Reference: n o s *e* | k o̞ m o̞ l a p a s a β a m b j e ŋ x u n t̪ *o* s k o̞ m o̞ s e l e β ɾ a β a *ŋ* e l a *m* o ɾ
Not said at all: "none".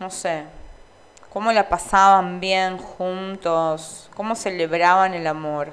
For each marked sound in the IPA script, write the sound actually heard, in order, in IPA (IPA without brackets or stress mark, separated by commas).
e, o, n, m